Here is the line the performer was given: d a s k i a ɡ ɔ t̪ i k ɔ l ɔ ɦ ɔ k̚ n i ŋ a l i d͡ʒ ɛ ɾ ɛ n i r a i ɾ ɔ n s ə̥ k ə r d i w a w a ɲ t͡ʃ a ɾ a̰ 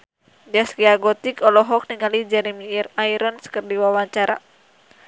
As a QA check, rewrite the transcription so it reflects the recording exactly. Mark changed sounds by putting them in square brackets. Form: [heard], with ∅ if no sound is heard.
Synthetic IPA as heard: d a s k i a ɡ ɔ t̪ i k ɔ l ɔ ɦ ɔ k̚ n i ŋ a l i d͡ʒ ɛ ɾ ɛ [m] i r a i ɾ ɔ n s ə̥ k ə r d i w a w a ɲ t͡ʃ a ɾ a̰